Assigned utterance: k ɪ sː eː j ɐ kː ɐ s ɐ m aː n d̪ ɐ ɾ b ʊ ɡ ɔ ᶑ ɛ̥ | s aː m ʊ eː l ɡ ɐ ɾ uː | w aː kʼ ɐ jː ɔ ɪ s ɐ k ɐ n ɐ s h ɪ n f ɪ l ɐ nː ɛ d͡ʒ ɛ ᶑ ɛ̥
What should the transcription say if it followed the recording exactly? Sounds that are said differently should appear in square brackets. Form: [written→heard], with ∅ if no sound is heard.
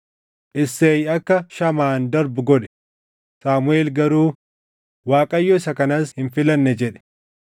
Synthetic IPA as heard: [k→ʔ] ɪ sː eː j ɐ kː ɐ [s→ʃ] ɐ m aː n d̪ ɐ ɾ b ʊ ɡ ɔ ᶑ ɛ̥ | s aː m ʊ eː l ɡ ɐ ɾ uː | w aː kʼ ɐ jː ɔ ɪ s ɐ k ɐ n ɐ s h ɪ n f ɪ l ɐ nː ɛ d͡ʒ ɛ ᶑ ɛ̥